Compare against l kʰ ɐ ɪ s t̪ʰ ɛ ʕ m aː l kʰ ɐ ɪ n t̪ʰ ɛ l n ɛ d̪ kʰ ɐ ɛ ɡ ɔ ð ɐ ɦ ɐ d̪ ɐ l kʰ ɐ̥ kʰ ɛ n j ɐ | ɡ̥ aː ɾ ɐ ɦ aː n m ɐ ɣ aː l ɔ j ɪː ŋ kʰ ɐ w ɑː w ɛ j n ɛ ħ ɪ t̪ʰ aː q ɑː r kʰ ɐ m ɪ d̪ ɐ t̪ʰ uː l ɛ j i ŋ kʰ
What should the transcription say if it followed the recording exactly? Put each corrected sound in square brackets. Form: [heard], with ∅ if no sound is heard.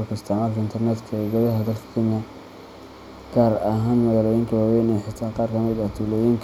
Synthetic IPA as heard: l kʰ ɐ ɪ s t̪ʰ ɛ ʕ m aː l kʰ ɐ ɪ n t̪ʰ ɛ [r] n ɛ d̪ kʰ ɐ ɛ ɡ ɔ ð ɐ ɦ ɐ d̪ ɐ l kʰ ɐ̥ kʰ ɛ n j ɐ | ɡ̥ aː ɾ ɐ ɦ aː n m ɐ ɣ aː l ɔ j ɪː ŋ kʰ ɐ w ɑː w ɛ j n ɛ ħ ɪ t̪ʰ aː q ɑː r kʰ ɐ m ɪ d̪ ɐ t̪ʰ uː l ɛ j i ŋ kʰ